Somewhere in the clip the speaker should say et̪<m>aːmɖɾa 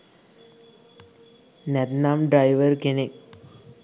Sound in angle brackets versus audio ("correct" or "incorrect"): incorrect